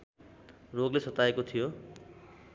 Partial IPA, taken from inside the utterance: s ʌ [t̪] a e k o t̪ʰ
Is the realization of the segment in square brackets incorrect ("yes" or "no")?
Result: no